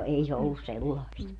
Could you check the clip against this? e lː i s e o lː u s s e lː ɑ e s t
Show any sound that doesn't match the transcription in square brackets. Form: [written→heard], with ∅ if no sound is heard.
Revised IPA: e [lː→∅] i s e o lː u s s e lː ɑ [e→i] s t